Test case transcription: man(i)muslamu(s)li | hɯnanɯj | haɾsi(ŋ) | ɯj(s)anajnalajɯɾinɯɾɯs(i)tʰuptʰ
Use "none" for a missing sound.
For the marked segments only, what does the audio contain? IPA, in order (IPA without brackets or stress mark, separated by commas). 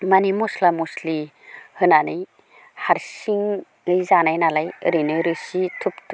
i, s, ŋ, z, i